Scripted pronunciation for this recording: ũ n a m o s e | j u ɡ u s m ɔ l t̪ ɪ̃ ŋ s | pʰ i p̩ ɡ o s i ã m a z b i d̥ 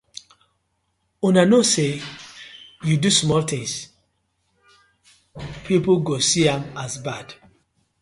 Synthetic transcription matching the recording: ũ n a n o s e | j u d u s m ɔ l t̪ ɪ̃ ŋ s | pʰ i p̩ ɡ o s i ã m a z b a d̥